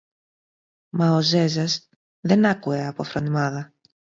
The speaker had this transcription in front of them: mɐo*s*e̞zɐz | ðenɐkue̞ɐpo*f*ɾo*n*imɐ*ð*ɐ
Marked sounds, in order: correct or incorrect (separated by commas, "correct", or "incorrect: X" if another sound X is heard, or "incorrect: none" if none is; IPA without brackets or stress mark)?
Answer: incorrect: z, correct, correct, correct